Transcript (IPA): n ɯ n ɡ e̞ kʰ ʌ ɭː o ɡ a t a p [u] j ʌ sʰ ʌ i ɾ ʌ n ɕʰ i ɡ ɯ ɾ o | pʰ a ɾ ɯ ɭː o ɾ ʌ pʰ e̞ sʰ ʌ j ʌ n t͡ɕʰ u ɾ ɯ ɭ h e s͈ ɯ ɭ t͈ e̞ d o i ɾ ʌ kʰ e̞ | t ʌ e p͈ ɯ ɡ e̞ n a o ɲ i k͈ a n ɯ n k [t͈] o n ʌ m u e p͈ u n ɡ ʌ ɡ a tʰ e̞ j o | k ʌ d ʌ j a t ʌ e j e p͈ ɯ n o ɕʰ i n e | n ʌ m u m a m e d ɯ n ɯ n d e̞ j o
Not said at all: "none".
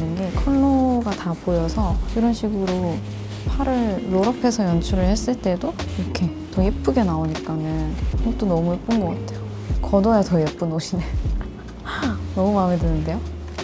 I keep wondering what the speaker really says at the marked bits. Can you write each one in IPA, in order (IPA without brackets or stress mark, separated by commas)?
o, t͈